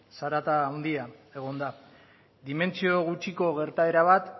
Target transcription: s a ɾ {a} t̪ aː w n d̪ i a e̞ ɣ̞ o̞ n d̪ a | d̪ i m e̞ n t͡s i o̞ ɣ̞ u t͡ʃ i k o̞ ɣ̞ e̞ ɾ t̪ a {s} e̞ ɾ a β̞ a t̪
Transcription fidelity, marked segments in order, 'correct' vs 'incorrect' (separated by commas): correct, incorrect